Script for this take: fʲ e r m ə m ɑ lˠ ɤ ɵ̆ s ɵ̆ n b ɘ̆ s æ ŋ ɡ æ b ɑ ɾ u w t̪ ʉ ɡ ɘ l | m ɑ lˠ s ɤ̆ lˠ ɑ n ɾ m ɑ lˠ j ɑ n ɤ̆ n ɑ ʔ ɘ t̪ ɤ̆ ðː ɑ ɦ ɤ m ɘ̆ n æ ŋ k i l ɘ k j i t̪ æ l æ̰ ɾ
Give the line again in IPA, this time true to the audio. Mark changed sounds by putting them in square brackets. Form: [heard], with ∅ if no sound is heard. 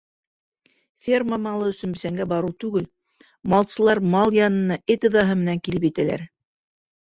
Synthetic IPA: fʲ e r m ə m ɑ lˠ ɤ ɵ̆ s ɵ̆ n b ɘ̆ s æ ŋ ɡ æ b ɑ ɾ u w t̪ ʉ ɡ ɘ l | m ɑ lˠ s ɤ̆ lˠ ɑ [∅] ɾ m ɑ lˠ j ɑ n ɤ̆ n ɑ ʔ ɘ t̪ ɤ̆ [ð] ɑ ɦ ɤ m ɘ̆ n æ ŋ k i l ɘ [p] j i t̪ æ l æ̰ ɾ